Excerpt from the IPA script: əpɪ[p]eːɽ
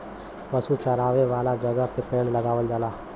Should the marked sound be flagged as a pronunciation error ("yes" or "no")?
no